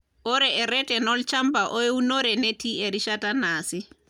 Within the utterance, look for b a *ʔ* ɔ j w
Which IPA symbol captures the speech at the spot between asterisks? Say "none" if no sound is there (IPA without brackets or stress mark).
ʔ